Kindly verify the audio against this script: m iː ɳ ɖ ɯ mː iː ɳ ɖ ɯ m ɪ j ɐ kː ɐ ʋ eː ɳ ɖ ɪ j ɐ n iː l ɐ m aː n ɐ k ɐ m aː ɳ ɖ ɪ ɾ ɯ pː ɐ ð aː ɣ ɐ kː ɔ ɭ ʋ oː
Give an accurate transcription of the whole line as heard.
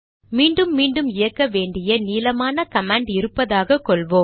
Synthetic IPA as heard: m iː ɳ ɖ ɯ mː iː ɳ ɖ ɯ m ɪ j ɐ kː ɐ ʋ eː ɳ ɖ ɪ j ɐ n iː l ɐ m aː n ɐ k ɐ m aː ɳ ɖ ɪ ɾ ɯ pː ɐ ð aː ɣ ɐ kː ɔ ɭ ʋ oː